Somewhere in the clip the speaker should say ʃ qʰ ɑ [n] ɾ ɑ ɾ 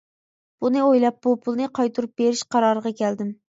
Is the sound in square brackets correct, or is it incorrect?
incorrect